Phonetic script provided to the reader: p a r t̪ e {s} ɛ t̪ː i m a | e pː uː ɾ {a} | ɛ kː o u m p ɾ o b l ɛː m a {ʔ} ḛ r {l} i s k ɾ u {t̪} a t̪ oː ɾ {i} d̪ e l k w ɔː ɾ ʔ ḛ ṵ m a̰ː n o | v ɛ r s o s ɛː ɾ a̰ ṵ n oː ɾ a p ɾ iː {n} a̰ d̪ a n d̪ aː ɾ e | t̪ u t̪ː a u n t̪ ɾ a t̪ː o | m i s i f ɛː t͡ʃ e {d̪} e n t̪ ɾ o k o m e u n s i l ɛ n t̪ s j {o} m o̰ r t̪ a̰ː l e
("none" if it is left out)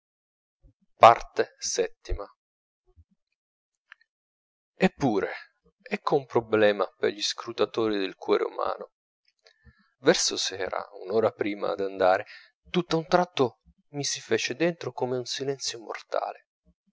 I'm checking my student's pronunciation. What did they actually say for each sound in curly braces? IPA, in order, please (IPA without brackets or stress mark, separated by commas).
s, e, p, ʎ, t̪, i, m, d̪, o